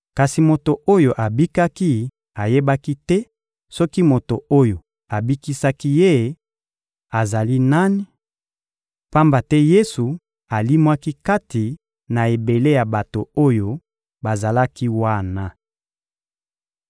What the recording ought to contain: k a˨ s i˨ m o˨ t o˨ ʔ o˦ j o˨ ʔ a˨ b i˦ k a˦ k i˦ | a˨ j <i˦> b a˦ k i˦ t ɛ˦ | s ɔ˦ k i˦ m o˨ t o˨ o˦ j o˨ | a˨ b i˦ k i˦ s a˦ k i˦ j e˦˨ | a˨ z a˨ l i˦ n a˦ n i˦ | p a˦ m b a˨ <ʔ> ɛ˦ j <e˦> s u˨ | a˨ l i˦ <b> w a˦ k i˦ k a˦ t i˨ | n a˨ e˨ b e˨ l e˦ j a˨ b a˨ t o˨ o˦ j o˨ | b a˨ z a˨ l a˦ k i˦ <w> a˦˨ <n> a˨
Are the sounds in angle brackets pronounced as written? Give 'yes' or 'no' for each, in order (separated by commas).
no, no, yes, no, yes, yes